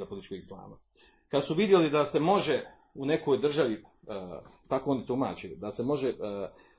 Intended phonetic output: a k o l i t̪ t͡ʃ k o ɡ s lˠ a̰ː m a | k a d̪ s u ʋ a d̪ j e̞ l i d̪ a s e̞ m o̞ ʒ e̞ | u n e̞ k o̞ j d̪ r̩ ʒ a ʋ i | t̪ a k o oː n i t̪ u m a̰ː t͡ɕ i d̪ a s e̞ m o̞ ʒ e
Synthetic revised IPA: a p o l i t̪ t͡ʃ k o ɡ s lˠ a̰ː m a | k a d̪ s u ʋ i d̪ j e̞ l i d̪ a s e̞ m o̞ ʒ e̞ | u n e̞ k o̞ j d̪ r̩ ʒ a ʋ i | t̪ a k o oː n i t̪ u m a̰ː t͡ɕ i d̪ a s e̞ m o̞ ʒ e